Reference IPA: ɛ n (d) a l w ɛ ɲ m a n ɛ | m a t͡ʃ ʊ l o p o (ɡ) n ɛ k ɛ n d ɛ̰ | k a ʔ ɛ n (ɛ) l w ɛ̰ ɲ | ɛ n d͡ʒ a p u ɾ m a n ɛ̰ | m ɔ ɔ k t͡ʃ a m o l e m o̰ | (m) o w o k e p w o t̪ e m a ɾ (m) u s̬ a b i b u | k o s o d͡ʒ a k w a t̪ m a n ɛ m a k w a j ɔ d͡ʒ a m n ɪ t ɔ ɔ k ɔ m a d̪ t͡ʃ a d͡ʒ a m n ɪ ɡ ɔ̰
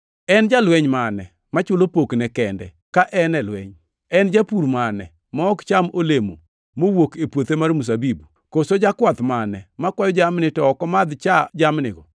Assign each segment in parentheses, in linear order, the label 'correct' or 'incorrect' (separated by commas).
incorrect, incorrect, correct, correct, correct